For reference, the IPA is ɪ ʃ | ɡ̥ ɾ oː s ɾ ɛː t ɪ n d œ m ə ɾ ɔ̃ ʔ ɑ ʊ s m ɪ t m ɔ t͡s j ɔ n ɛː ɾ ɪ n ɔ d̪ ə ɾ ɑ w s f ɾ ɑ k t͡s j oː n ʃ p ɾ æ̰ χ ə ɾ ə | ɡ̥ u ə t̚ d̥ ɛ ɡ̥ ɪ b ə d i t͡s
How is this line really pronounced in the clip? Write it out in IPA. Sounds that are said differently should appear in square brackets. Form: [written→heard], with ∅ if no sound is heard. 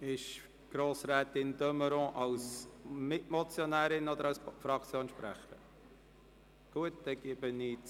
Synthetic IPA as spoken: ɪ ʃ | ɡ̥ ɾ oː s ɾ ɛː t ɪ n d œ m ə ɾ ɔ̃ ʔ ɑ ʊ s m ɪ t m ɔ t͡s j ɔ n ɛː ɾ ɪ n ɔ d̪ ə ɾ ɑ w s f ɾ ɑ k t͡s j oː n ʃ p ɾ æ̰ χ ə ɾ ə | ɡ̥ u ə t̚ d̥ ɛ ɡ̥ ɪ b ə [d→n] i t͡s